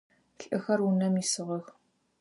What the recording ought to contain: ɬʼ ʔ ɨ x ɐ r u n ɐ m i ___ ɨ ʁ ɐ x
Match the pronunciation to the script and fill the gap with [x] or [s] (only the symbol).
s